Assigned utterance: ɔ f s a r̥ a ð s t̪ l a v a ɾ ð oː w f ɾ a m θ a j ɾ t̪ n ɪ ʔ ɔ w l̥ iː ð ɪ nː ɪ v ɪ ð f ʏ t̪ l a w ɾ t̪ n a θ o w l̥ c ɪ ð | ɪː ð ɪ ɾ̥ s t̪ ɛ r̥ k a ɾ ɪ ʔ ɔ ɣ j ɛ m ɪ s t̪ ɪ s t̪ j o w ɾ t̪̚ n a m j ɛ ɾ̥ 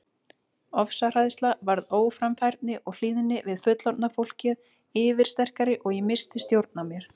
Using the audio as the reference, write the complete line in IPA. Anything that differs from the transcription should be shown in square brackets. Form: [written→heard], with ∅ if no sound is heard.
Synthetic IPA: ɔ f s a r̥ a ð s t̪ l a v a ɾ ð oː w f ɾ a m [θ→f] a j ɾ t̪ n ɪ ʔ ɔ [w→ɣ] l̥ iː ð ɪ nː ɪ v ɪ ð f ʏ t̪ l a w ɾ t̪ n a [θ→f] o w l̥ c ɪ ð | ɪː [ð→v] ɪ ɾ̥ s t̪ ɛ r̥ k a ɾ ɪ ʔ ɔ ɣ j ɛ m ɪ s t̪ ɪ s t̪ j o w ɾ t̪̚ n a m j ɛ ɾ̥